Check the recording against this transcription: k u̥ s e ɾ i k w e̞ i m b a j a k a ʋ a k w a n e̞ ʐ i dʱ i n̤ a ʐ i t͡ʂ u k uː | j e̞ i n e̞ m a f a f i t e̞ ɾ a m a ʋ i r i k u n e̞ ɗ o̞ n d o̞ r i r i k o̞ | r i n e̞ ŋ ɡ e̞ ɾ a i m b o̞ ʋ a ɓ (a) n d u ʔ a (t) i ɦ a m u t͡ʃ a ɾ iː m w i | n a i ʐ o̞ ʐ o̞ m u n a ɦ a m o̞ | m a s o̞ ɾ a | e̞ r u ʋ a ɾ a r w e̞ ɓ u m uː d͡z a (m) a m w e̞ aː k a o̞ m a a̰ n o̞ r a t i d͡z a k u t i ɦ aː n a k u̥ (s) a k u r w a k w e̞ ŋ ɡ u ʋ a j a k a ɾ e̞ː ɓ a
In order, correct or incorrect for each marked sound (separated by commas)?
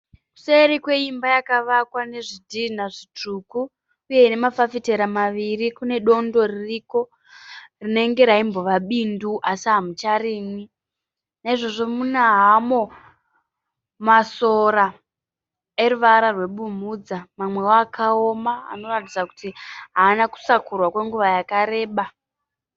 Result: incorrect, incorrect, correct, correct